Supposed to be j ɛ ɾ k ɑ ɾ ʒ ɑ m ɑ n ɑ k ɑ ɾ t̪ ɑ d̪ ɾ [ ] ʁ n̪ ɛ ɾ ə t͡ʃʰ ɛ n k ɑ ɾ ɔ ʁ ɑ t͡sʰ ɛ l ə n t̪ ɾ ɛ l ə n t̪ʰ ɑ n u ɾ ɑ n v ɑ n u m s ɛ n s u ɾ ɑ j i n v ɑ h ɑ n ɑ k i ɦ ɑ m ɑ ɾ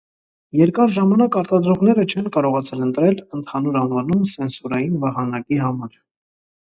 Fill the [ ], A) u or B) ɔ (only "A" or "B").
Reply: B